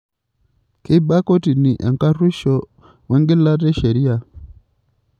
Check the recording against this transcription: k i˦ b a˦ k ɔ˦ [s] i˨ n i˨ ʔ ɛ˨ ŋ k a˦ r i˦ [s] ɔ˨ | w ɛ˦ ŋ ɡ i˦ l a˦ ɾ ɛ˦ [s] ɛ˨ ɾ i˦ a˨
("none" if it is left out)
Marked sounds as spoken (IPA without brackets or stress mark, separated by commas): t, ʃ, ʃ